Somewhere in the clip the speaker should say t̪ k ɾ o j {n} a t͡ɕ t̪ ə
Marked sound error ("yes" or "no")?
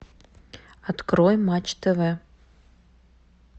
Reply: yes